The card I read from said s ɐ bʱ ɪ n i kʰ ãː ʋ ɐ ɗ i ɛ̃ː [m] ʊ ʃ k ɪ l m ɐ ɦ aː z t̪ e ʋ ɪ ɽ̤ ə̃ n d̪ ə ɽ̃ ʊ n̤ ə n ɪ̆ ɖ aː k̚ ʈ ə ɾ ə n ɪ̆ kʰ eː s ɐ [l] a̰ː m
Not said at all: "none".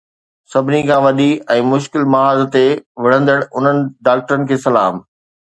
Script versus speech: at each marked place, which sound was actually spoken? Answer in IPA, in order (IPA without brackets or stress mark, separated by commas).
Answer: m, l